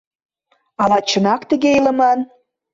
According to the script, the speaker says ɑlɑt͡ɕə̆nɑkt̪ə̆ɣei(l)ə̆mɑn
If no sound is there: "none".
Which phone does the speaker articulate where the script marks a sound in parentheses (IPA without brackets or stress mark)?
l